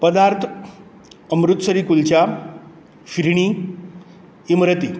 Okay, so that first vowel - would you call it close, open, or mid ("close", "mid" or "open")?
mid